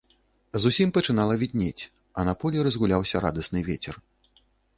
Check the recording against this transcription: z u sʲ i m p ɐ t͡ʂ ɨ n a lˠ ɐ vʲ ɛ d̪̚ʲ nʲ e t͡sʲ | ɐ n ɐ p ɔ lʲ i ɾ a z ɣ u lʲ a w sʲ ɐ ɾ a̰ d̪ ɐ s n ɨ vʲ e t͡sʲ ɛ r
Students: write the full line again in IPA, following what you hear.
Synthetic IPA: z u sʲ i m p ɐ t͡ʂ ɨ n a lˠ ɐ vʲ i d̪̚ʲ nʲ e t͡sʲ | ɐ n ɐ p ɔ lʲ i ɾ ɐ z ɣ u lʲ a w sʲ ɐ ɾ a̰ d̪ ɐ s n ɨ vʲ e t͡sʲ ɛ r